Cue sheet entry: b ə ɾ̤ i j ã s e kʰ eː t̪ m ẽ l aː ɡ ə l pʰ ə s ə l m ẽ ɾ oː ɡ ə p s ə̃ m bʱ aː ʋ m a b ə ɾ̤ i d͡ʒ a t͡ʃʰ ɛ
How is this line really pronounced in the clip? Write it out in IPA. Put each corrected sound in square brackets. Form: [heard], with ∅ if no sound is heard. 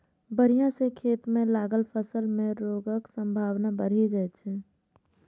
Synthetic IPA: b ə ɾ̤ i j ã s e kʰ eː t̪ m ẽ l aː ɡ ə l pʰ ə s ə l m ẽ ɾ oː ɡ ə [k] s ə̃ m bʱ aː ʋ [n] a b ə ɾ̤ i d͡ʒ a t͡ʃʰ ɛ